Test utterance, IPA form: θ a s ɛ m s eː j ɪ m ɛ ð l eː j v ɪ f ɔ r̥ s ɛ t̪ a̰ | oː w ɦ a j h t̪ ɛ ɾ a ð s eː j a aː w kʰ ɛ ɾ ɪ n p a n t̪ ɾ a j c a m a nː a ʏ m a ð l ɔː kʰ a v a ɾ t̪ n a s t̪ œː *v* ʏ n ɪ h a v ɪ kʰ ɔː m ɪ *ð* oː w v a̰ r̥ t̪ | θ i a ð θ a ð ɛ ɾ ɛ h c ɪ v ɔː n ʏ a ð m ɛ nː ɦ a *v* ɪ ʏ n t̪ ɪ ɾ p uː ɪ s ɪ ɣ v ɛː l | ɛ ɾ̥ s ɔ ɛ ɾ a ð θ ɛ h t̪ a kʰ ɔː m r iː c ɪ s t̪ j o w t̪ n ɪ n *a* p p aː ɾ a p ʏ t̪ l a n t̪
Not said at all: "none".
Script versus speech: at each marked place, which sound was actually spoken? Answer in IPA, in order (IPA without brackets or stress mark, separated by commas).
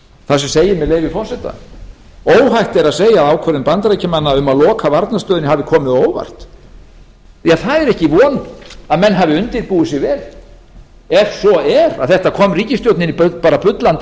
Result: ð, ð, v, i